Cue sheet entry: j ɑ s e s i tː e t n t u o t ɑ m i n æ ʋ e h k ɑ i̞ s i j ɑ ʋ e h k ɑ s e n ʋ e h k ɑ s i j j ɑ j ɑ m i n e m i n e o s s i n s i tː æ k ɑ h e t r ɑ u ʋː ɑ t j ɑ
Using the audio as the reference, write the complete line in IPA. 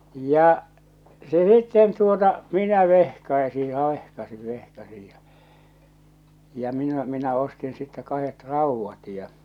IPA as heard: j ɑ s e s i tː e n t u o t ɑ m i n æ ʋ e h k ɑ i̞ s i j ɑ ʋ e h k ɑ s i n ʋ e h k ɑ s i j j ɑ j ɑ m i n æ m i n æ o s t i n s i tː æ k ɑ h e t r ɑ u ʋː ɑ t j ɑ